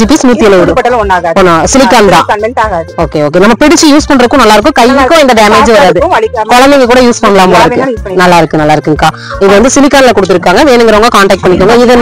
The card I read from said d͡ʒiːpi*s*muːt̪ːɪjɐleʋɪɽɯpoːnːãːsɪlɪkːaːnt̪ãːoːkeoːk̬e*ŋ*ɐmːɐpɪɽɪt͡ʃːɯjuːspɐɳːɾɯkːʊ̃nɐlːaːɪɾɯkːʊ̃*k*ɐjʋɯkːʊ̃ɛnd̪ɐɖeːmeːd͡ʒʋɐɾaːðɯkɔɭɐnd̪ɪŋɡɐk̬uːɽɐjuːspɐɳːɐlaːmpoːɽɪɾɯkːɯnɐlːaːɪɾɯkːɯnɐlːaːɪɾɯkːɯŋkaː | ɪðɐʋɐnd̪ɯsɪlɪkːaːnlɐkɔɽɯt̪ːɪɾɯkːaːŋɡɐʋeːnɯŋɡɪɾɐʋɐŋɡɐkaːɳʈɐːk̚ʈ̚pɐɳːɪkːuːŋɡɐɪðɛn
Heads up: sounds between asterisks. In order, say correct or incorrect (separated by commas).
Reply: correct, incorrect, correct